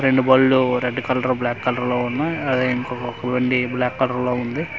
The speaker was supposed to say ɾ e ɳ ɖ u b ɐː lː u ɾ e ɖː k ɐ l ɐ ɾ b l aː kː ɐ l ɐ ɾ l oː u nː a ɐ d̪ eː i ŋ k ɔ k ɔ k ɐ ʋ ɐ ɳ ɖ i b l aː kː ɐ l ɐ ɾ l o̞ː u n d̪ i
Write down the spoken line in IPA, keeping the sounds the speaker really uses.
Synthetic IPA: ɾ e ɳ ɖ u b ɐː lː u ɾ e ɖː k ɐ l ɐ ɾ b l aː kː ɐ l ɐ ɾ l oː u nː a ɐ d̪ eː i ŋ k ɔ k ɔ k ɐ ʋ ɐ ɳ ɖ i b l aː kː ɐ l ɐ ɾ l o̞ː u n d̪ i